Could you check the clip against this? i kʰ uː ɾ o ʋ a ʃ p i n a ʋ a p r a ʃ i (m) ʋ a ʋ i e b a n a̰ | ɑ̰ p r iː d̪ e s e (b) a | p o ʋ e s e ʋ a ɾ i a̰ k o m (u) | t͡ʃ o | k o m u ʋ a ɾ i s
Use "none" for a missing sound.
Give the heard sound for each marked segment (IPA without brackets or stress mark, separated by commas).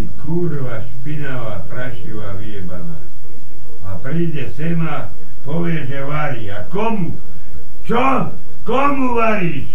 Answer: none, m, u